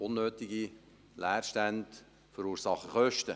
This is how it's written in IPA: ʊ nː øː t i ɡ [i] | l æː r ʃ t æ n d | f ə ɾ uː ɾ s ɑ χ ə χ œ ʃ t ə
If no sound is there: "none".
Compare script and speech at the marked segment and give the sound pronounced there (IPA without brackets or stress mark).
i